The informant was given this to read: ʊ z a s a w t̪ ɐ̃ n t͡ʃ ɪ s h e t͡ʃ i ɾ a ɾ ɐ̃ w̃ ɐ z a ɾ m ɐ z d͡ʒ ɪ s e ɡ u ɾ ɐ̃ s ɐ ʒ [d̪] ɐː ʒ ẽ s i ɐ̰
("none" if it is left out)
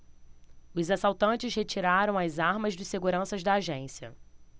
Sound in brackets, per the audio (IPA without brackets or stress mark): d̪